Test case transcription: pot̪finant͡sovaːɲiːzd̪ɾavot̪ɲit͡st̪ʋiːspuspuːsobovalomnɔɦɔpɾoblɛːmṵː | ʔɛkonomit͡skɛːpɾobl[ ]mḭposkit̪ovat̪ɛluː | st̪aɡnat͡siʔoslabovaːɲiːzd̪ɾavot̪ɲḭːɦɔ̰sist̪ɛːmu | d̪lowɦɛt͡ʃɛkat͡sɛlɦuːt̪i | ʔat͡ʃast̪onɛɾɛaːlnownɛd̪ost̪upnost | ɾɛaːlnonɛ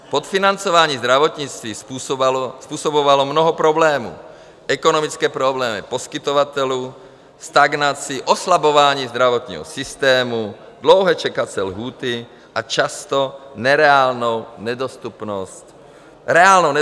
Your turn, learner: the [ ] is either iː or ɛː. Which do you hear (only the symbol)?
ɛː